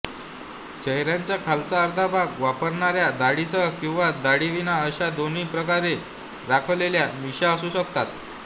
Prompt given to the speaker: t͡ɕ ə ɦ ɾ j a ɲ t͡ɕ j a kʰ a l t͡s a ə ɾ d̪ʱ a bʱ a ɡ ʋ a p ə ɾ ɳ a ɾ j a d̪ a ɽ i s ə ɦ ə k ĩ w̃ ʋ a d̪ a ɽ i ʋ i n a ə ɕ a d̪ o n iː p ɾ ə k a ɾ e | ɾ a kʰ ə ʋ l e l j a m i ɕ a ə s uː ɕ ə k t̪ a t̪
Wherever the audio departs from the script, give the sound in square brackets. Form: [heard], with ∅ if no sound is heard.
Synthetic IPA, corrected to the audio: t͡ɕ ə ɦ ɾ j a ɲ t͡ɕ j a kʰ a l t͡s a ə ɾ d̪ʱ a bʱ a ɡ ʋ a p ə ɾ ɳ a ɾ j a d̪ a ɽ i s ə ɦ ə k ĩ w̃ ʋ a d̪ a ɽ i ʋ i n a ə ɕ a d̪ o n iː p ɾ ə k a ɾ e | ɾ a kʰ ə ʋ l e l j a m i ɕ a ə s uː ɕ ə k t̪ a t̪